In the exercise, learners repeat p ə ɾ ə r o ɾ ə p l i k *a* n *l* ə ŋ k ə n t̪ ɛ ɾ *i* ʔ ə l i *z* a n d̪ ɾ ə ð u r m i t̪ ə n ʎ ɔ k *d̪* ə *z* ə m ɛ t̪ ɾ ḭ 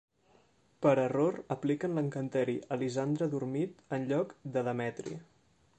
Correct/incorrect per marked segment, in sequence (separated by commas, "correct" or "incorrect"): incorrect, correct, correct, correct, correct, incorrect